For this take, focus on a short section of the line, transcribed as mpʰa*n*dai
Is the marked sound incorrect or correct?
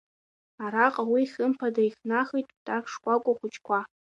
incorrect